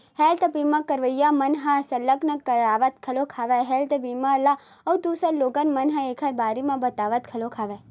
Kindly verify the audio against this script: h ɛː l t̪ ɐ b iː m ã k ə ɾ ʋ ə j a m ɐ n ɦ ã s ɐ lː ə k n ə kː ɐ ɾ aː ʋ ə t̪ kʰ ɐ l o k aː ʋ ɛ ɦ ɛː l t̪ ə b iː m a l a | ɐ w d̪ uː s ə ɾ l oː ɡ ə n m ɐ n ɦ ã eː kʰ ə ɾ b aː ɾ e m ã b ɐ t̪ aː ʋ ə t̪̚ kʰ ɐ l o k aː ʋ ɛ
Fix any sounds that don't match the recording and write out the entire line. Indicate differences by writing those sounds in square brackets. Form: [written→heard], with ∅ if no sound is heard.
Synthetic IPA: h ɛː l t̪ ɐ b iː m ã k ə ɾ ʋ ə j a m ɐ n ɦ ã s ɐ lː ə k n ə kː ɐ ɾ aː ʋ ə t̪ kʰ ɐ l o [k→kʰ] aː ʋ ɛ ɦ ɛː l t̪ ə b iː m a l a | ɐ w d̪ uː s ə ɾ l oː ɡ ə n m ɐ n ɦ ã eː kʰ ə ɾ b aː ɾ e m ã b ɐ t̪ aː ʋ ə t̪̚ kʰ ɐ l o [k→kʰ] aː ʋ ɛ